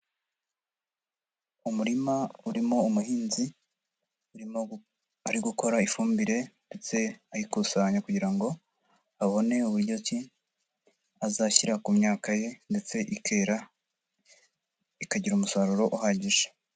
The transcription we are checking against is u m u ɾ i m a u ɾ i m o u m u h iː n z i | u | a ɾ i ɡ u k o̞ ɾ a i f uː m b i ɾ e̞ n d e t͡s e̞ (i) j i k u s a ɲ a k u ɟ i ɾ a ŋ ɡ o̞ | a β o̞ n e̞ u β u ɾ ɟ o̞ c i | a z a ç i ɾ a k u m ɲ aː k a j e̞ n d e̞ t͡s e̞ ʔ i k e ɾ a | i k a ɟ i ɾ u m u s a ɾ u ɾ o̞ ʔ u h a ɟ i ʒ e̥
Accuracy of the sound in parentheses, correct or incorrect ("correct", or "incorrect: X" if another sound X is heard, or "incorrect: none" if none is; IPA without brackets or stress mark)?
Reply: incorrect: a